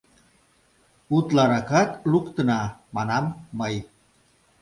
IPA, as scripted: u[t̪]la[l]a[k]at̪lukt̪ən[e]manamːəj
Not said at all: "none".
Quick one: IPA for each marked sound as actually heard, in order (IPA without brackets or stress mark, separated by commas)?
t̪, ɾ, k, a